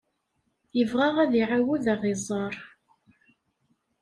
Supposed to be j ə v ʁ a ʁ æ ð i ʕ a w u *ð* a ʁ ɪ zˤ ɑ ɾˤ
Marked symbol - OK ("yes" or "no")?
yes